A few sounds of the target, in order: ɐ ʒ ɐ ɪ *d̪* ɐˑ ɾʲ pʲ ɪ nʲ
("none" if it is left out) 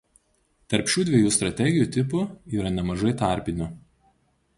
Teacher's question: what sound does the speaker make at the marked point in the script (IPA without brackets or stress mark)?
t̪